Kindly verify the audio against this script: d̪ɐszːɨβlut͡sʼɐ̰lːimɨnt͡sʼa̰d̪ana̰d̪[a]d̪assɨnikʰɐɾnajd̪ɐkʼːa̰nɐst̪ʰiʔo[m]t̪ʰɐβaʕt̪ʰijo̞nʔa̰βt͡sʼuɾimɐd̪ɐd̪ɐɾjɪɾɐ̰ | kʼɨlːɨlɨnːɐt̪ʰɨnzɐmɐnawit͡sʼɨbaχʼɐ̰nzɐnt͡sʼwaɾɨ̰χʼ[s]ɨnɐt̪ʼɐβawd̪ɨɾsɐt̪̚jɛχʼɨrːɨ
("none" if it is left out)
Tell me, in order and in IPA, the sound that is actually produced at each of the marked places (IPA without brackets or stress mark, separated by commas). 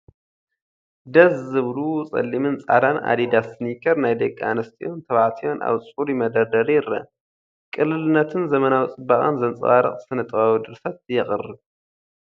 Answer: i, n, s